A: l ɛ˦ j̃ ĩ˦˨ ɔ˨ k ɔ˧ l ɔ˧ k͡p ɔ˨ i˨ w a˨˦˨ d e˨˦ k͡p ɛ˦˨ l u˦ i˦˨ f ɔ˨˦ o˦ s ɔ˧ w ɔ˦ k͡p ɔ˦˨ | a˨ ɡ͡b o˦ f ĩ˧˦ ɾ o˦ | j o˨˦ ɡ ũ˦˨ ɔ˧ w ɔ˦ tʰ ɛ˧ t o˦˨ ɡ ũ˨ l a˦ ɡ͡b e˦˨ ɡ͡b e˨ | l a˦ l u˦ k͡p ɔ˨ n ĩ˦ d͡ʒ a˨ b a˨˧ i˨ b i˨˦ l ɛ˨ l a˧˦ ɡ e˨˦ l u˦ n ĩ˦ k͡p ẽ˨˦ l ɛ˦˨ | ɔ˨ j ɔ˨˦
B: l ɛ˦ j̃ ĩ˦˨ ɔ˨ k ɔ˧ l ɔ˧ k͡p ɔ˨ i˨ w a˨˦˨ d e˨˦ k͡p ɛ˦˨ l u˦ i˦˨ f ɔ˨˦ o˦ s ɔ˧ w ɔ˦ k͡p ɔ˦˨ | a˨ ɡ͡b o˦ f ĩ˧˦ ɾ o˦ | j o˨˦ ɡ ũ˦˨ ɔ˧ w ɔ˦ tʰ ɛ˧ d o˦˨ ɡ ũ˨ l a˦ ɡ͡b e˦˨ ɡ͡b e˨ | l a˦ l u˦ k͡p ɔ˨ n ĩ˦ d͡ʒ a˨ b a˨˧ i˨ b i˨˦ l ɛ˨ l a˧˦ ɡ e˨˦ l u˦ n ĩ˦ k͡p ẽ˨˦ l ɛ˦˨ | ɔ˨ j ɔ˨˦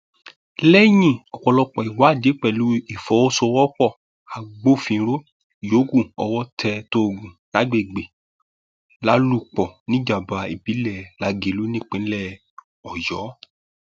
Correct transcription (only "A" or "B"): A